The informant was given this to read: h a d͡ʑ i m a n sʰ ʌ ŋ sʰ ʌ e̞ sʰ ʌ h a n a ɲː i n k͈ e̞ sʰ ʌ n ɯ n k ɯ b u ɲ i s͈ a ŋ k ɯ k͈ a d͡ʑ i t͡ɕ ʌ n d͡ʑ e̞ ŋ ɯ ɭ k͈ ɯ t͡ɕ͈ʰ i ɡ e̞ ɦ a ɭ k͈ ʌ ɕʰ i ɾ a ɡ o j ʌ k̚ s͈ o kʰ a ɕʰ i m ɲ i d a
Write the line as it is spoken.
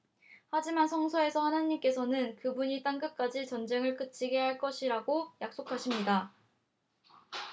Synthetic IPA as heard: h a d͡ʑ i m a n sʰ ʌ ŋ sʰ ʌ e̞ sʰ ʌ h a n a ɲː i m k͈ e̞ sʰ ʌ n ɯ n k ɯ b u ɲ i t͈ a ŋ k ɯ k͈ a d͡ʑ i t͡ɕ ʌ n d͡ʑ e̞ ŋ ɯ ɭ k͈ ɯ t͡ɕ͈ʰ i ɡ e̞ ɦ a ɭ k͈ ʌ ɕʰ i ɾ a ɡ o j a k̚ s͈ o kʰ a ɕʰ i m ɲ i d a